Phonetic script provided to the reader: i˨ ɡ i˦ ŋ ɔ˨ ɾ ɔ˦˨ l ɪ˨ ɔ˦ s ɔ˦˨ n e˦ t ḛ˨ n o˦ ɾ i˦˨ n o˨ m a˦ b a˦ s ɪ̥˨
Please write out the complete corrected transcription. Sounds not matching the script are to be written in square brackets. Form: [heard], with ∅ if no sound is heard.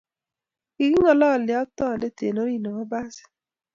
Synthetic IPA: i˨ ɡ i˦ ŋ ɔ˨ [l] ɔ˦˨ l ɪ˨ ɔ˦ [t] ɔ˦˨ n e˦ t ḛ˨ n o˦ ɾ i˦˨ n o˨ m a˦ b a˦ s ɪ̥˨